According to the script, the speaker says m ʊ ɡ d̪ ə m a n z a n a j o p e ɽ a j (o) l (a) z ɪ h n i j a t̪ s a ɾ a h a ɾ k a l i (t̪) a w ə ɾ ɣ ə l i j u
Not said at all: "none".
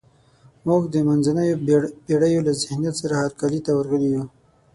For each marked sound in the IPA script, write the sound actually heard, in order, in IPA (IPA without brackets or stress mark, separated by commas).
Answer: o, a, t̪